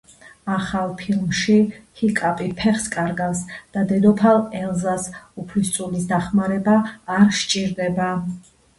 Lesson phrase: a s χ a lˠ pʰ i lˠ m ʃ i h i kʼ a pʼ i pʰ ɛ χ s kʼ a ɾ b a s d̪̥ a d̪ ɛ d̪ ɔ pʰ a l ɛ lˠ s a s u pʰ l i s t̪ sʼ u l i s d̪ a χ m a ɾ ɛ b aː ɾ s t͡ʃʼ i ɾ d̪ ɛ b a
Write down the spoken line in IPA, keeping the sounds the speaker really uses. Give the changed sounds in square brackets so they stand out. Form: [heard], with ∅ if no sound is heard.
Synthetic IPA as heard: a [∅] χ a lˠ pʰ i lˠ m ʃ i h i kʼ a pʼ i pʰ ɛ χ s kʼ a ɾ [ɡ] a s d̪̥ a d̪ ɛ d̪ ɔ pʰ a l ɛ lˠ [z] a s u pʰ l i s t̪ sʼ u l i s d̪ a χ m a ɾ ɛ b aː ɾ [ʃ] t͡ʃʼ i ɾ d̪ ɛ b a